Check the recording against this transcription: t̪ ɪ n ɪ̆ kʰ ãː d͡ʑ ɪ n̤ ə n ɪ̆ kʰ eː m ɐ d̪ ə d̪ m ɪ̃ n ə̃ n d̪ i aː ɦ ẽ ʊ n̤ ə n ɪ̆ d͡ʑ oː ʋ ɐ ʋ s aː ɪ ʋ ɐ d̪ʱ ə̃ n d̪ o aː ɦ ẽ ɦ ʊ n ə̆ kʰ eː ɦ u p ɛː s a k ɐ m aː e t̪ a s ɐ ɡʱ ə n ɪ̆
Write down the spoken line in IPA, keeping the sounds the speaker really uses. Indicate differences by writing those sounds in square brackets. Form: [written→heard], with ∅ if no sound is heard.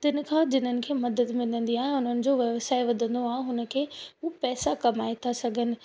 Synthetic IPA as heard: t̪ ɪ n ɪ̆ kʰ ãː d͡ʑ ɪ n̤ ə n ɪ̆ kʰ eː m ɐ d̪ ə d̪ m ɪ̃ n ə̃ n d̪ i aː ɦ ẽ ʊ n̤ ə n ɪ̆ d͡ʑ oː ʋ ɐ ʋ s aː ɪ ʋ ɐ d̪ʱ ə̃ n d̪ o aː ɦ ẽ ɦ ʊ n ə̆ kʰ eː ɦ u p ɛː s a k ɐ m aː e [t̪→t̪ʰ] a s ɐ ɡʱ ə n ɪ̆